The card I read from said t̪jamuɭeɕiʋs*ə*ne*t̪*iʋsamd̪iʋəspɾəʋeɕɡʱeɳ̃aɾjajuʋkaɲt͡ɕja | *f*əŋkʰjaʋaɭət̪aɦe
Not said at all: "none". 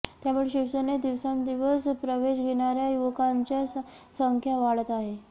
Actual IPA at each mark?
ə, d̪, s

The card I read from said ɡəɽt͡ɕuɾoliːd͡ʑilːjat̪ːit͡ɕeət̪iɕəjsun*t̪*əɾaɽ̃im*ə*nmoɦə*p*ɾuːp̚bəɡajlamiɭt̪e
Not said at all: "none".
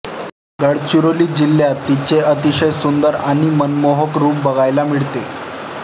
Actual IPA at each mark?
d̪, ə, k

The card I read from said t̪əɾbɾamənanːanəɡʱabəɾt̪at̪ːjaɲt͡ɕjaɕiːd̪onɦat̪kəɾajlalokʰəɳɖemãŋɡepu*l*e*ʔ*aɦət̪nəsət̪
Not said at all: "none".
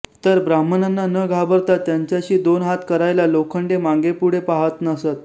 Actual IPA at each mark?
ɽ, p

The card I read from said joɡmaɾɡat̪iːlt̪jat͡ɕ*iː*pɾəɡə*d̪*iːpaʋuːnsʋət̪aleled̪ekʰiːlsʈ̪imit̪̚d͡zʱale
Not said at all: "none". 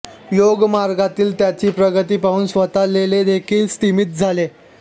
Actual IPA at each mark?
iː, t̪

